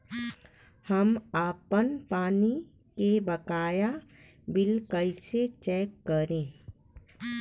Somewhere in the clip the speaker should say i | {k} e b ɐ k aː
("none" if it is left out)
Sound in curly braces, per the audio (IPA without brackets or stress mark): k